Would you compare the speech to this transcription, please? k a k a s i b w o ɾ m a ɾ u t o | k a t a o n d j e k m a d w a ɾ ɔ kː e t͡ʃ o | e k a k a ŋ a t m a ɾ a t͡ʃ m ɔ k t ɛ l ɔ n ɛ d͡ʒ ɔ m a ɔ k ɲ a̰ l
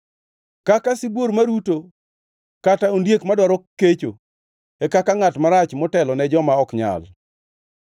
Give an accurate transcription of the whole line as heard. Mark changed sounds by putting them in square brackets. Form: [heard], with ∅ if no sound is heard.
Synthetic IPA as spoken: k a k a s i b w o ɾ m a ɾ u t o | k a t a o n d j e k m a d w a ɾ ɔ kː e t͡ʃ o | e k a k a ŋ a t m a ɾ a t͡ʃ m ɔ [∅] t ɛ l ɔ n ɛ d͡ʒ ɔ m a ɔ k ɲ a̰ l